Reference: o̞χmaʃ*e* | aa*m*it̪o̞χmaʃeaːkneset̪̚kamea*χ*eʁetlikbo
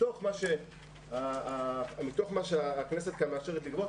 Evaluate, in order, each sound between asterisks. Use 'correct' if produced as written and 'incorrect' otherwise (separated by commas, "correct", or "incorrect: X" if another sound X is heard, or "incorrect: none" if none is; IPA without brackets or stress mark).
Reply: correct, correct, incorrect: ʃ